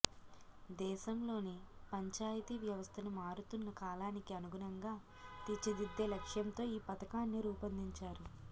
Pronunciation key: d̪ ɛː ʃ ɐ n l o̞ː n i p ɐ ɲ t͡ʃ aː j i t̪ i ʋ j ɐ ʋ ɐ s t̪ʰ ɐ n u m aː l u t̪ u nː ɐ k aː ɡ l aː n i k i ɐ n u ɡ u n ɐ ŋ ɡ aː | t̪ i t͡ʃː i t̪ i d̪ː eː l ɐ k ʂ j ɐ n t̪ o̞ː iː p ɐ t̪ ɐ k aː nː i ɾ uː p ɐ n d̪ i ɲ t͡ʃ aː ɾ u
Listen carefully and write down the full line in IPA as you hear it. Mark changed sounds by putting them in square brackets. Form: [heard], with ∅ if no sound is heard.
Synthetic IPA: d̪ ɛː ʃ ɐ [m] l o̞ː n i p ɐ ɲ t͡ʃ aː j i t̪ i ʋ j ɐ ʋ ɐ s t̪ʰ ɐ n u m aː [ɾ] u t̪ u nː ɐ k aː [∅] l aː n i k i ɐ n u ɡ u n ɐ ŋ ɡ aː | t̪ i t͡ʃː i [d̪] i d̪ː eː l ɐ k ʂ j ɐ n t̪ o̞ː iː p ɐ t̪ ɐ k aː nː i ɾ uː p ɐ n d̪ i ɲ t͡ʃ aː ɾ u